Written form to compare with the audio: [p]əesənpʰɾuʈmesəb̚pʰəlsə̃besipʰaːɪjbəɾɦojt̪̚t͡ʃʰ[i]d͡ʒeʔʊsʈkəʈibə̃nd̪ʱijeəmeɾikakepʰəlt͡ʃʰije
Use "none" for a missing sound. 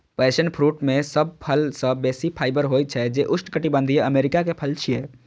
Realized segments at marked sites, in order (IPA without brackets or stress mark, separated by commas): p, ɛ